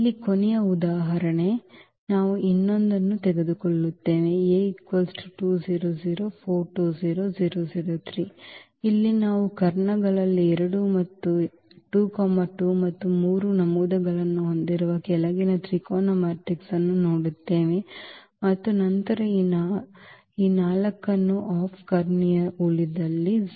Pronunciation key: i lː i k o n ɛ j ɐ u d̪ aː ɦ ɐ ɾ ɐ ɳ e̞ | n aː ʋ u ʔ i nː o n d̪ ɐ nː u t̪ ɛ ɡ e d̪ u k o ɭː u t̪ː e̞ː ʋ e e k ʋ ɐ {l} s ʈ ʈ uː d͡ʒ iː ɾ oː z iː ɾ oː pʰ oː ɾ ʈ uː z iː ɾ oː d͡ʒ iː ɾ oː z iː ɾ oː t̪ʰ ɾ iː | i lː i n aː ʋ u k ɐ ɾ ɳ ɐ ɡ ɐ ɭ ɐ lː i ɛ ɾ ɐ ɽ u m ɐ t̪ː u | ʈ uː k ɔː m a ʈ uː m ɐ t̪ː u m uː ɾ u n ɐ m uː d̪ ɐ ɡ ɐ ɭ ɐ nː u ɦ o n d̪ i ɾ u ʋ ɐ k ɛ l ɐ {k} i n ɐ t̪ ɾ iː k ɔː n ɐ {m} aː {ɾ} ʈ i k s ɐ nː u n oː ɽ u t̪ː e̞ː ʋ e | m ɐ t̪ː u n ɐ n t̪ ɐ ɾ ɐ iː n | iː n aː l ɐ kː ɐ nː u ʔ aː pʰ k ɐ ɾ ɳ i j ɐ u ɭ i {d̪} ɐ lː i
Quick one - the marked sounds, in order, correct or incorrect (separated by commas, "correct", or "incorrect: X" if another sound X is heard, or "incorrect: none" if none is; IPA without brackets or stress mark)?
correct, incorrect: ɡ, correct, correct, correct